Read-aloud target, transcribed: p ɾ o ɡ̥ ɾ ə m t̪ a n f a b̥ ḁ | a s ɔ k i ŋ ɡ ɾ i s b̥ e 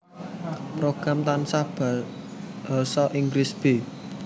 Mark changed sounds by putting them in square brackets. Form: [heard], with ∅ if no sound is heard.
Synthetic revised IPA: p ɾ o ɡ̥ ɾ [a] m t̪ a n [s] a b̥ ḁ | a s ɔ [ʔ] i ŋ ɡ ɾ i s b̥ e